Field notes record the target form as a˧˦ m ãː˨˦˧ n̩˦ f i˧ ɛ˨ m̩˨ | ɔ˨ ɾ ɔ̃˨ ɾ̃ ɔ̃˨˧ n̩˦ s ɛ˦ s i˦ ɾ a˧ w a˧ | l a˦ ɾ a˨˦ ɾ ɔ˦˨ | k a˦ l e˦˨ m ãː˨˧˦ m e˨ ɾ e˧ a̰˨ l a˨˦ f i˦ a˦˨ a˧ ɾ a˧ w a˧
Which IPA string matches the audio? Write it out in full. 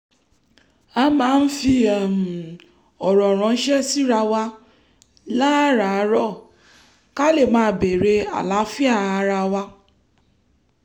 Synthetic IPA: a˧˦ m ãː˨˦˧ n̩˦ f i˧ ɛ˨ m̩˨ | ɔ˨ ɾ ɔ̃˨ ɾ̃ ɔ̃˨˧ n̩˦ ʃ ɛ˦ s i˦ ɾ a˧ w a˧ | l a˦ ɾ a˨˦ ɾ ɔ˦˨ | k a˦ l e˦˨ m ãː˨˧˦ b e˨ ɾ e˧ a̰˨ l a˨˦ f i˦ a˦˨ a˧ ɾ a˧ w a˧